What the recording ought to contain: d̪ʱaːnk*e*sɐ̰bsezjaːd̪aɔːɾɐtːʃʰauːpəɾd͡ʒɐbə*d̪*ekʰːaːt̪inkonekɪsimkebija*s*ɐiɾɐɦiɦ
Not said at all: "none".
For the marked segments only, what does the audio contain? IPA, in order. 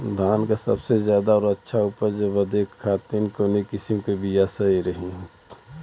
a, d̪, s

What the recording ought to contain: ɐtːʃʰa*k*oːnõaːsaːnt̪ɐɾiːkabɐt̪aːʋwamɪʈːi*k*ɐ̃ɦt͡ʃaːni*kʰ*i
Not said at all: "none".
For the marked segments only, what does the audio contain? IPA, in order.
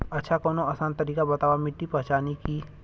k, p, k

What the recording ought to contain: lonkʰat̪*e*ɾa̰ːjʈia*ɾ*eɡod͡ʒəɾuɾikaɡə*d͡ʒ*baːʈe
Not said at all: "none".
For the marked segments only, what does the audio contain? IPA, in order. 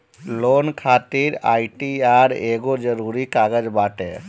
i, ɾ, d͡ʒ

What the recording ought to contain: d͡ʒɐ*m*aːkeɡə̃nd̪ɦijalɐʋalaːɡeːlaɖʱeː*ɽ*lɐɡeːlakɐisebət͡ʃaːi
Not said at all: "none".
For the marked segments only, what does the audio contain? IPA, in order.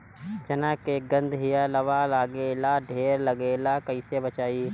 n, ɾ

